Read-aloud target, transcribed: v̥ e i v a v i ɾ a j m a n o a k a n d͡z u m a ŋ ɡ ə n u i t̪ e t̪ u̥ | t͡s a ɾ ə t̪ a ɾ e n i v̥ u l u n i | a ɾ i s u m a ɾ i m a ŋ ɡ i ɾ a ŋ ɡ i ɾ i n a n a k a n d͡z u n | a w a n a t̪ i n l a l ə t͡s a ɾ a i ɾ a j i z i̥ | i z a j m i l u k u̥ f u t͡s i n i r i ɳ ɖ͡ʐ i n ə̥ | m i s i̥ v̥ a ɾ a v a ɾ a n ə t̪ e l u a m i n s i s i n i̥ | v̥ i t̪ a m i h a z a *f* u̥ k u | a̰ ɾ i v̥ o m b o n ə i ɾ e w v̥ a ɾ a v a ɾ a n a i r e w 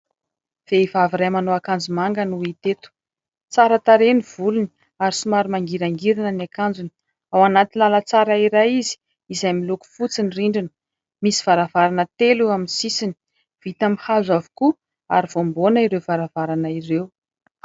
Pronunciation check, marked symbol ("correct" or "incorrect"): incorrect